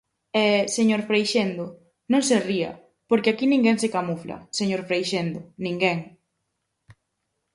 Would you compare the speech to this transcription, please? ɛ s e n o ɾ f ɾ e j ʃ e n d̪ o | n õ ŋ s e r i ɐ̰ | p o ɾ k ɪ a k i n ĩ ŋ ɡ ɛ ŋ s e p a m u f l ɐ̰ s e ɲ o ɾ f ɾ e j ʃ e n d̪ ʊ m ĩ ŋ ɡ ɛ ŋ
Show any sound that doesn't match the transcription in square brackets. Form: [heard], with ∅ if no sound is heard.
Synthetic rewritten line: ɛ s e [ɲ] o ɾ f ɾ e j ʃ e n d̪ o | n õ ŋ s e r i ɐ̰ | p o ɾ k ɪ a k i n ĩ ŋ ɡ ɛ ŋ s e [k] a m u f l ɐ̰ s e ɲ o ɾ f ɾ e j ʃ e n d̪ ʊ [n] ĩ ŋ ɡ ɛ ŋ